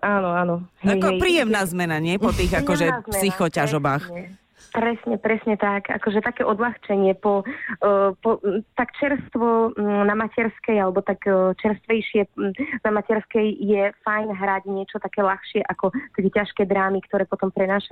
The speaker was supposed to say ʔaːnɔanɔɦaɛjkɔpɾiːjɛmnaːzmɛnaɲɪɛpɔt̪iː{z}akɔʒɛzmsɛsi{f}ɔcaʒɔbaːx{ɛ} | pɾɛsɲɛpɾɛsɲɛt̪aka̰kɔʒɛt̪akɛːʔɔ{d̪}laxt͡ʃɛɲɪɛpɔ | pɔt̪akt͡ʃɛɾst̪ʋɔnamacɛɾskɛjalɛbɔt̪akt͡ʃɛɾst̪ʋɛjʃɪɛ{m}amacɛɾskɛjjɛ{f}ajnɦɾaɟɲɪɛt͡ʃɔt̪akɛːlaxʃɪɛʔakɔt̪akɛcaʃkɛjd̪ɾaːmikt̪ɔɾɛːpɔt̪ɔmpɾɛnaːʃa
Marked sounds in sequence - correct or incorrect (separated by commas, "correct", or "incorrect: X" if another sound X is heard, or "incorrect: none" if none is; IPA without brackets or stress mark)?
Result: incorrect: ɣ, incorrect: x, correct, correct, incorrect: n, correct